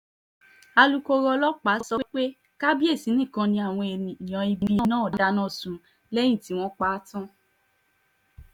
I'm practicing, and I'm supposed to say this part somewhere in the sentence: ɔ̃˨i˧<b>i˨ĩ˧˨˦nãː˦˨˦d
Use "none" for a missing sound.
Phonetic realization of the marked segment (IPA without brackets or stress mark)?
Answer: b